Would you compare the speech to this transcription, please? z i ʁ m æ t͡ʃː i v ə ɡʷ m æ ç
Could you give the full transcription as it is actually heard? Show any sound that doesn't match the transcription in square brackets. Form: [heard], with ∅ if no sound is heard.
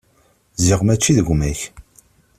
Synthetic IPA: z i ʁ m æ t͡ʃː i [ð] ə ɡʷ m æ ç